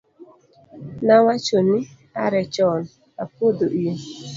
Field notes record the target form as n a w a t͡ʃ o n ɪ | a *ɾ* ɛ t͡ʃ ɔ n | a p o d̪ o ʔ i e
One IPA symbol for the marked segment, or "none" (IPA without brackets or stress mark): ɾ